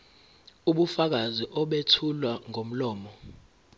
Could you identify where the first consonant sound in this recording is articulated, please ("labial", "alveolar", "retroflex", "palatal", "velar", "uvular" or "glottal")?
labial